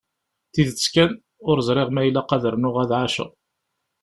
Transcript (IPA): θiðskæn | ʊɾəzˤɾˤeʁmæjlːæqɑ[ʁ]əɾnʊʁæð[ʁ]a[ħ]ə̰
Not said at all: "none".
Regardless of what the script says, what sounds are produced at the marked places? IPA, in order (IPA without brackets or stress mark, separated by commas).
ð, ʕ, ʃ